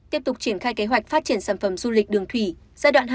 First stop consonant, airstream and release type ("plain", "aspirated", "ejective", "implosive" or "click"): plain